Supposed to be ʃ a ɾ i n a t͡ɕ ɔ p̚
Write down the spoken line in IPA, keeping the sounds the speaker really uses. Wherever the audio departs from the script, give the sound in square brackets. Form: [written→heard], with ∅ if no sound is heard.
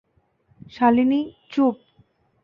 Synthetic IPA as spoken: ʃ a [ɾ→l] i n [a→i] t͡ɕ [ɔ→u] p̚